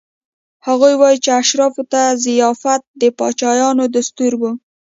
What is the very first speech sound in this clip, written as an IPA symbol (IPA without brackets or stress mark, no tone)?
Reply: h